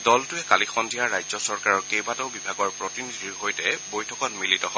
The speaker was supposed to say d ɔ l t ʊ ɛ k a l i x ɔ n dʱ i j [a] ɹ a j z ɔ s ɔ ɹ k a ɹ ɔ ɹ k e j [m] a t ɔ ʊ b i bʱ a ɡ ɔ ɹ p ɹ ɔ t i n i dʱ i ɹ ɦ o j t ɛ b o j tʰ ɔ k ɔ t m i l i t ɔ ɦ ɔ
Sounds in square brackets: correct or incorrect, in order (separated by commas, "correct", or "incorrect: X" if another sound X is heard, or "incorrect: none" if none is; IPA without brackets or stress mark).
correct, incorrect: b